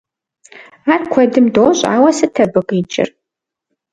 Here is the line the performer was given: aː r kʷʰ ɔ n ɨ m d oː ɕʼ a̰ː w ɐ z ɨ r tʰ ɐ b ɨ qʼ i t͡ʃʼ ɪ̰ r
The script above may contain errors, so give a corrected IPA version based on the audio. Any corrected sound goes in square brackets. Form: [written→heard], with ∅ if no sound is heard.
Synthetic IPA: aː r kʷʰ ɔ [n→d] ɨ m d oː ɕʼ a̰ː w ɐ [z→s] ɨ [r→∅] tʰ ɐ b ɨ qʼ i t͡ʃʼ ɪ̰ r